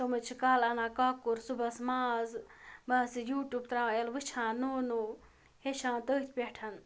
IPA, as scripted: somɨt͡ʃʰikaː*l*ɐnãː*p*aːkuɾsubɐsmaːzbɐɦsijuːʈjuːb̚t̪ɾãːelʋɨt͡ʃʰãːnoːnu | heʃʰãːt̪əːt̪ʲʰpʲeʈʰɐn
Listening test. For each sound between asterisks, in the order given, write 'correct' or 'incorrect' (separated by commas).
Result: correct, incorrect